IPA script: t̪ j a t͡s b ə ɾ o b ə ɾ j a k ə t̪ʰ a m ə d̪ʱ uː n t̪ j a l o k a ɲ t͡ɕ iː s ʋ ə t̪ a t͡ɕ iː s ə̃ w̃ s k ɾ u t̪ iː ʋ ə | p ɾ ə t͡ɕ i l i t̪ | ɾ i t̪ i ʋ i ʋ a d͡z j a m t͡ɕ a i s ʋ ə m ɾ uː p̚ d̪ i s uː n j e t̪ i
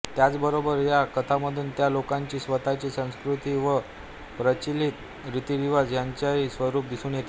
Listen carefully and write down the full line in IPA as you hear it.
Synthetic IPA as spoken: t̪ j a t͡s b ə ɾ o b ə ɾ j a k ə t̪ʰ a m ə d̪ʱ uː n t̪ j a l o k a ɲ t͡ɕ iː s ʋ ə t̪ a t͡ɕ iː s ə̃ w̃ s k ɾ u t̪ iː ʋ ə | p ɾ ə t͡ɕ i l i t̪ | ɾ i t̪ i ʋ i ʋ a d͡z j a ɲ t͡ɕ a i s ʋ ə ɾ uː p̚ d̪ i s uː n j e t̪ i